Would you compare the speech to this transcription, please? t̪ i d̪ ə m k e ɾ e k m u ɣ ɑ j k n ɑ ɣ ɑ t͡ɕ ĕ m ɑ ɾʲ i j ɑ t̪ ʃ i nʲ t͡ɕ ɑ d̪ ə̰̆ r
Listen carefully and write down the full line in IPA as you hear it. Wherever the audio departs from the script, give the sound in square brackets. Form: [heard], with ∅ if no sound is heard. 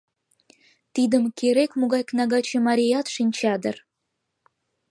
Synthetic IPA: t̪ i d̪ ə m k e ɾ e k m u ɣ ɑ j k n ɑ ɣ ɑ t͡ɕ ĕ m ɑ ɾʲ i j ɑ t̪ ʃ i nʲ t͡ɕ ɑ d̪ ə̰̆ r